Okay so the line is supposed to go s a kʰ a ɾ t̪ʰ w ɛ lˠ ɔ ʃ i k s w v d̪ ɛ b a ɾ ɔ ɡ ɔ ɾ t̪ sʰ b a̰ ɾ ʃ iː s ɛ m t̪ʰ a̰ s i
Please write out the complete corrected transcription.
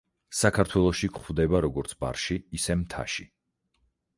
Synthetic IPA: s a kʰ a ɾ t̪ʰ w ɛ lˠ ɔ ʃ i k χ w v d̪ ɛ b a ɾ ɔ ɡ ɔ ɾ t̪ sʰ b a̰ ɾ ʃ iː s ɛ m t̪ʰ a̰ ʃ i